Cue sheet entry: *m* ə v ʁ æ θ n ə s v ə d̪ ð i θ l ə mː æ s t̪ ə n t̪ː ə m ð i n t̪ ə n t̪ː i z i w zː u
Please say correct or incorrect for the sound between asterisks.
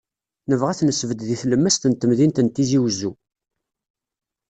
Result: incorrect: n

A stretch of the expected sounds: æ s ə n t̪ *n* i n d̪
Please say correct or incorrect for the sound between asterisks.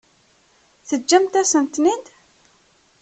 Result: correct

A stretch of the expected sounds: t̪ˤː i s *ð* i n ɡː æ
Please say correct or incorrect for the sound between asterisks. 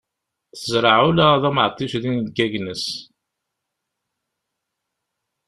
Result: correct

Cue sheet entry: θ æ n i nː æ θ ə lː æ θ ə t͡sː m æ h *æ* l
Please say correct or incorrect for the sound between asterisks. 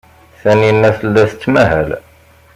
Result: correct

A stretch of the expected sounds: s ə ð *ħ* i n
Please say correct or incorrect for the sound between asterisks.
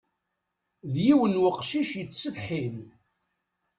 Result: correct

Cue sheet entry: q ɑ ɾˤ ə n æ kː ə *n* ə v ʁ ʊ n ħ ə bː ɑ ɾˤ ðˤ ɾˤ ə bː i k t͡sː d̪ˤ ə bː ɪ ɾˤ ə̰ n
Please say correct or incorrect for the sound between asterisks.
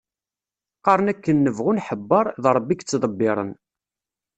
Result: incorrect: nː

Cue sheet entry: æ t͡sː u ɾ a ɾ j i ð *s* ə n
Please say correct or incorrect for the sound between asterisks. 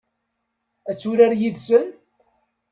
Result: correct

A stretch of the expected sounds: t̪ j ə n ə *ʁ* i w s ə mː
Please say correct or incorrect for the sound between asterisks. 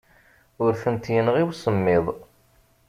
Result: correct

